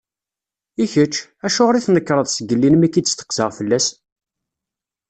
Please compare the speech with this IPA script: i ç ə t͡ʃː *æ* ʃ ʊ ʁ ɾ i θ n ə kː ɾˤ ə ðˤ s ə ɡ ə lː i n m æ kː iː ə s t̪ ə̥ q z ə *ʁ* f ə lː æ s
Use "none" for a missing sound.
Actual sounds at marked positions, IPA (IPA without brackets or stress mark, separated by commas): æ, ʁ